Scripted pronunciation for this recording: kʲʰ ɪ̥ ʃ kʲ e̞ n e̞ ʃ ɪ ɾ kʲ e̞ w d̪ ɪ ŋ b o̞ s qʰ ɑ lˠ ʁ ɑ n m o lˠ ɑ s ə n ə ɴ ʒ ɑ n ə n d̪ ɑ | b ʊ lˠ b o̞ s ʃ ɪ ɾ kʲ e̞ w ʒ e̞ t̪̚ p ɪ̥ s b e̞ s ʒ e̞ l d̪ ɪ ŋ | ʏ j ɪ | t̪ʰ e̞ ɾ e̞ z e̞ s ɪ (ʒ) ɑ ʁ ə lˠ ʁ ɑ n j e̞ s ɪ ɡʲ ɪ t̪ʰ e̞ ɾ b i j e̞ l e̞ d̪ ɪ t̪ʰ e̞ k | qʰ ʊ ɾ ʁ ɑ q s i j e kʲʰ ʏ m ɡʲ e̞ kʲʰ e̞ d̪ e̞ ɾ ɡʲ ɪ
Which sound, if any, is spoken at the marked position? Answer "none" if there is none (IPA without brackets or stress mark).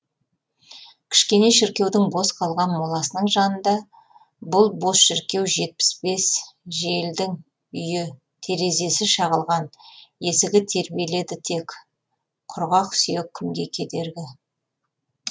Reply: ʃ